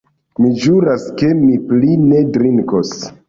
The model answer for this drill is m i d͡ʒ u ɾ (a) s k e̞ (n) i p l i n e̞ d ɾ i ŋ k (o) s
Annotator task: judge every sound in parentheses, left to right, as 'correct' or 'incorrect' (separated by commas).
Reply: correct, incorrect, correct